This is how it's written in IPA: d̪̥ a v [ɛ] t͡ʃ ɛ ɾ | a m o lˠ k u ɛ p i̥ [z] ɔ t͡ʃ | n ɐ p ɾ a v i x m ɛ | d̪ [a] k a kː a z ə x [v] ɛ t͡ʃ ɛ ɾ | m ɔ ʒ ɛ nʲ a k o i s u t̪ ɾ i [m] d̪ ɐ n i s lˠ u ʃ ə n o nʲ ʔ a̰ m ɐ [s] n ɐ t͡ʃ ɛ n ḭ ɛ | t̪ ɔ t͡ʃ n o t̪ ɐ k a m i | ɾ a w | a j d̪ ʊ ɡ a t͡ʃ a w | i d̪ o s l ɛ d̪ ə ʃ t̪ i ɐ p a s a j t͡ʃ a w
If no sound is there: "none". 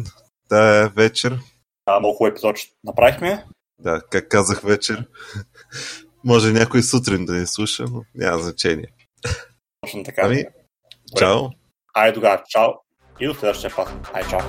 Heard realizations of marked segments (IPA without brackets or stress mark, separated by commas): ɛ, z, a, v, n, z